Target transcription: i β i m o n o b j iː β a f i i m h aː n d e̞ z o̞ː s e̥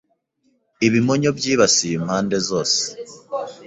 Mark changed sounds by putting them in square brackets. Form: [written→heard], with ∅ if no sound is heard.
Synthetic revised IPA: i β i m o [n→ɲ] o b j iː β a [f→s] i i m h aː n d e̞ z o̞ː s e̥